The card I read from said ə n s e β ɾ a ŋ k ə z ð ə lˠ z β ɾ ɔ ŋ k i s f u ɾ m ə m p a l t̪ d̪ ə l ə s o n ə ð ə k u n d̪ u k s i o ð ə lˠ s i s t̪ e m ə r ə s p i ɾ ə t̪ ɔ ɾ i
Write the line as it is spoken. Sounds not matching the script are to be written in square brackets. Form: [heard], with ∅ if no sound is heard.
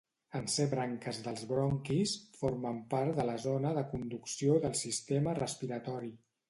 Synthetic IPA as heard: ə n s e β ɾ a ŋ k ə z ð ə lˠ z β ɾ ɔ ŋ k i s f [o] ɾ m ə m p a [ɾ] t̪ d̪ ə l ə [z] o n ə ð ə k u n d̪ u k s i o ð ə lˠ s i s t̪ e m ə r ə s p i ɾ ə t̪ ɔ ɾ i